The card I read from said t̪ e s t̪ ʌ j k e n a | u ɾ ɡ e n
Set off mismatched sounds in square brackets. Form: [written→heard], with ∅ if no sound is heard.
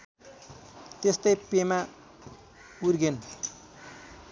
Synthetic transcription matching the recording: t̪ e s t̪ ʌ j [k→p] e [n→m] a | u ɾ ɡ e n